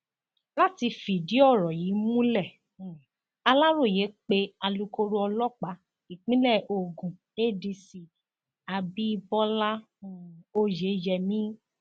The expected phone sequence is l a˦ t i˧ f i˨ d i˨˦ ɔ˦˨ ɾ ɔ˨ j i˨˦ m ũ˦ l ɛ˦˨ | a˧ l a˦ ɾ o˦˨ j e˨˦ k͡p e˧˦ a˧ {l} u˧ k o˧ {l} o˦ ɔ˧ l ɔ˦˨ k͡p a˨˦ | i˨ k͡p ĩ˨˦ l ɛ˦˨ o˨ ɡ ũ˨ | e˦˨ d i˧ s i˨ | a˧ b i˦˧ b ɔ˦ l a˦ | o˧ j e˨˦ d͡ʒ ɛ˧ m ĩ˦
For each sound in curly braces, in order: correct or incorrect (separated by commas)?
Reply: correct, incorrect